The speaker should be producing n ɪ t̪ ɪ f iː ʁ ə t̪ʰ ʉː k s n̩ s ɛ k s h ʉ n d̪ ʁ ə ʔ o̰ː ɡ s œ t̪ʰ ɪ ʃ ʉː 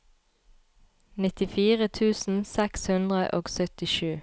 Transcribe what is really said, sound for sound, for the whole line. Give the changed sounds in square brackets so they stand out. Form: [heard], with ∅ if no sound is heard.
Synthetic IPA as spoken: n ɪ t̪ ɪ f iː ʁ ə t̪ʰ ʉː [∅] s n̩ s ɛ k s h ʉ n d̪ ʁ ə ʔ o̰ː ɡ s œ [t̪] ɪ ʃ ʉː